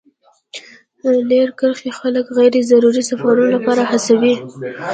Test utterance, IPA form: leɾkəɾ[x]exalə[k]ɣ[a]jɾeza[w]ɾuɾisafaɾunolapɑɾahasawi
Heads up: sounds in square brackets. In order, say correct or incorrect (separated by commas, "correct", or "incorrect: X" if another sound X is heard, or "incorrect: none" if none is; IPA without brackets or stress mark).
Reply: correct, correct, correct, incorrect: none